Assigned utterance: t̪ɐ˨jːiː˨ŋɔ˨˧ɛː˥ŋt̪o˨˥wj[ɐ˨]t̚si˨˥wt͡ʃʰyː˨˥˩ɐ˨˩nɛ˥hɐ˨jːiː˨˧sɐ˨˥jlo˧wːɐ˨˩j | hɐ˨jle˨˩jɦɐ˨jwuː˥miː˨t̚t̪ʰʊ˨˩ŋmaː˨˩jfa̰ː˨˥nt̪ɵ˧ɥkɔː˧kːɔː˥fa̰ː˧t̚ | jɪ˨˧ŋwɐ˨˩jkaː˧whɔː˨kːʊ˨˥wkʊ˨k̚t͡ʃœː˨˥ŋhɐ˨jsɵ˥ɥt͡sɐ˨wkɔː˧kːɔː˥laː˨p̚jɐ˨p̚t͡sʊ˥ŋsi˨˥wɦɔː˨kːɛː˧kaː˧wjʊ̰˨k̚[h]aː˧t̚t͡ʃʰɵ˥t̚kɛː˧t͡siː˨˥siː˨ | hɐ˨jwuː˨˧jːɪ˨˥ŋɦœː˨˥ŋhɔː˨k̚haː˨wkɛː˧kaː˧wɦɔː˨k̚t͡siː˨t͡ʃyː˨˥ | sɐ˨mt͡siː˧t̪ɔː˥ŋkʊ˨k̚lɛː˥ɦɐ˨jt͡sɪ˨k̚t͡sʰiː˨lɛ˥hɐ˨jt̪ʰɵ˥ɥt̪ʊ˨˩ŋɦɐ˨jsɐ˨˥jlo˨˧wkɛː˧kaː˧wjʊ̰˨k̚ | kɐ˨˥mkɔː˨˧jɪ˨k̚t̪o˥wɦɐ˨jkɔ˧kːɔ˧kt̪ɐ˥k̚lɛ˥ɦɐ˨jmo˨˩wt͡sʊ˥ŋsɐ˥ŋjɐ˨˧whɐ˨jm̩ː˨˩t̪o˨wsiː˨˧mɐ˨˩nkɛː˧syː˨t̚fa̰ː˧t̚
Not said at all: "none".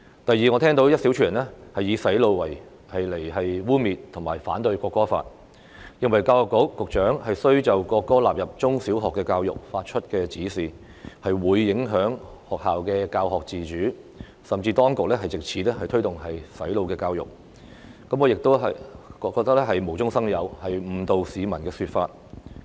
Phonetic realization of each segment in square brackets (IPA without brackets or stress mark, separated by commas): ɐ˥, f